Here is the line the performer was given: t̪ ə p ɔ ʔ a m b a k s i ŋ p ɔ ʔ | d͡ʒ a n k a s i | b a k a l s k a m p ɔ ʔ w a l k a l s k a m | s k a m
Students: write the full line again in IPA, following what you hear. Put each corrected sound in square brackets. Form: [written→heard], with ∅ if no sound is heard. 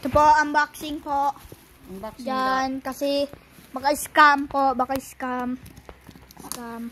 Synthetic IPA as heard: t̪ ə p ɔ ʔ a m b a k s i ŋ p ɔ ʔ | d͡ʒ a n k a s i | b a k a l s k a m p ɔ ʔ [w→b] a [l→∅] k a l s k a m | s k a m